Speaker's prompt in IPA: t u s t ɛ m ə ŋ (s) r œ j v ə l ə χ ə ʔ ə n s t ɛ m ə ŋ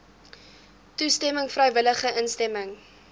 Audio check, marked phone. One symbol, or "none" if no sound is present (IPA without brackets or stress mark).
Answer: f